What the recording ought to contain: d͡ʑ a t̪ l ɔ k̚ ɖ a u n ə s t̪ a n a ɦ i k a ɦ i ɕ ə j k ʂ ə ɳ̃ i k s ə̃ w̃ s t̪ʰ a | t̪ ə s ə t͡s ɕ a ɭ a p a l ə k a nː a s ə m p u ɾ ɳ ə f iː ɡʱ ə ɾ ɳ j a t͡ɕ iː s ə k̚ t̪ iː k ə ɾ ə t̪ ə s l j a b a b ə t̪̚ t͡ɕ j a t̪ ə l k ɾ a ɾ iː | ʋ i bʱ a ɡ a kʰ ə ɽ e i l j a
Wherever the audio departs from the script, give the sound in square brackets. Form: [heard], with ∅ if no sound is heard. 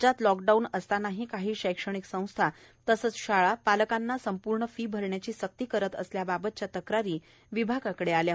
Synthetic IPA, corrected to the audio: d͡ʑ a t̪ l ɔ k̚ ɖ a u n ə s t̪ a n a ɦ i k a ɦ [iː] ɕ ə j k ʂ ə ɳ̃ i k s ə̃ w̃ s t̪ʰ a | t̪ ə s ə t͡s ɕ a ɭ a p a l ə k a nː a s ə m p u ɾ ɳ ə f iː [bʱ] ə ɾ ɳ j a t͡ɕ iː s ə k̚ t̪ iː k ə ɾ ə t̪ ə s l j a b a b ə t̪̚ t͡ɕ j a t̪ ə [∅] k ɾ a ɾ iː | ʋ i bʱ a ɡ a [k] ə ɽ e [a] l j a